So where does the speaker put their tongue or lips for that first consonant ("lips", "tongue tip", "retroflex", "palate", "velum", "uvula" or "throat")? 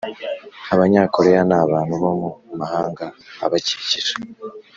lips